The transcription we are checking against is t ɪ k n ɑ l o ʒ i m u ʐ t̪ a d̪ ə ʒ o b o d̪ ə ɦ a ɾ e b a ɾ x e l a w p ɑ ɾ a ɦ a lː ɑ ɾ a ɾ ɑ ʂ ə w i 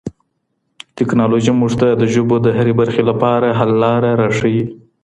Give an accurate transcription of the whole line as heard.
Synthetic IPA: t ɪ k n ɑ l o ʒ i m u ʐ t̪ a d̪ ə ʒ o b o d̪ ə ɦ a ɾ e b a ɾ x e l a p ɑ ɾ a ɦ a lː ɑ ɾ a ɾ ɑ ʂ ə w i